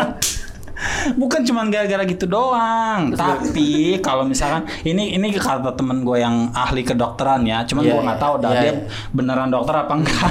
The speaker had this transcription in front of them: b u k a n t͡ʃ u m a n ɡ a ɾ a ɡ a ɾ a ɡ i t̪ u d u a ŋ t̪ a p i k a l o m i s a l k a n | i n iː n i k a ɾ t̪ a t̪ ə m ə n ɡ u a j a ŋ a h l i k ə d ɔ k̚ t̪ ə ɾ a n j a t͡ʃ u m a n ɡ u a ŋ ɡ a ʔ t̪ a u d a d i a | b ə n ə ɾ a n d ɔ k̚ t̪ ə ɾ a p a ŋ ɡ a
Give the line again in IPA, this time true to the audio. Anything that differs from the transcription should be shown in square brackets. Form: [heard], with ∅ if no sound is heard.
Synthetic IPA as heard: b u k a n t͡ʃ u m a n ɡ a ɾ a ɡ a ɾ a ɡ i t̪ u d [o] a ŋ t̪ a p i k a l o m i s a l k a n | i n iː n i k a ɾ t̪ a t̪ ə m ə n ɡ u a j a ŋ a h l i k ə d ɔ k̚ t̪ ə ɾ a n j a t͡ʃ u m a n ɡ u a ŋ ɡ a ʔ t̪ a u d a d i a | b ə n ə ɾ a n d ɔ k̚ t̪ ə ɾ a p a ŋ ɡ a